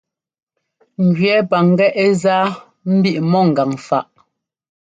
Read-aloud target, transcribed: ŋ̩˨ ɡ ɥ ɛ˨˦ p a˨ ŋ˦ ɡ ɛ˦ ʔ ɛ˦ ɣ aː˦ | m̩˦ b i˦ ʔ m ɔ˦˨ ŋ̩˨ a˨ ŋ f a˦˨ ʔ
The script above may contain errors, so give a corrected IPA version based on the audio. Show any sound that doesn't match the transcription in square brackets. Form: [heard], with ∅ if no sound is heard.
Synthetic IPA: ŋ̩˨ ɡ ɥ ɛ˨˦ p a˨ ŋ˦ ɡ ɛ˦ ʔ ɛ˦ [z] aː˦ | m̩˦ b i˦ ʔ m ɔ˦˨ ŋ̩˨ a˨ ŋ f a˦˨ ʔ